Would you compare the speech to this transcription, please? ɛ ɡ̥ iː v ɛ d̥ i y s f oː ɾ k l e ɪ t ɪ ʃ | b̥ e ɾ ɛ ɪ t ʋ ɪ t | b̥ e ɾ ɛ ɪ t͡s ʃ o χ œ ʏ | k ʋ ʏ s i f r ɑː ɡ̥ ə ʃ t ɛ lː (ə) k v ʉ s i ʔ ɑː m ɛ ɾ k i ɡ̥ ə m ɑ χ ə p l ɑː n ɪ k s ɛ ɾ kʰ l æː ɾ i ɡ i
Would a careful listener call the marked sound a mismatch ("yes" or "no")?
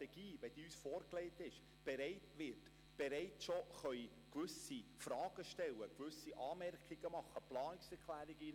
no